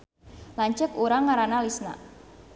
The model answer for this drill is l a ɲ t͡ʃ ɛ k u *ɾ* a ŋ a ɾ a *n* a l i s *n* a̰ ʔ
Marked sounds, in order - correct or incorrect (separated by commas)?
correct, correct, correct